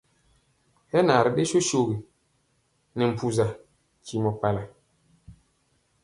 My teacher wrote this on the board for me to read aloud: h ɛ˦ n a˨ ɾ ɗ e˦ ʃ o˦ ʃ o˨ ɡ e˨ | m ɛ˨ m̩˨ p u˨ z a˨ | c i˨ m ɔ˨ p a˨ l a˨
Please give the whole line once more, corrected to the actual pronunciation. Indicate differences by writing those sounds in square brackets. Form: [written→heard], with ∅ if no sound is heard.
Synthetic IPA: h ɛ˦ n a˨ ɾ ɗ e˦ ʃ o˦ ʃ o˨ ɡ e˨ | [m→n] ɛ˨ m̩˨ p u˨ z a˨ | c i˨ m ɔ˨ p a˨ l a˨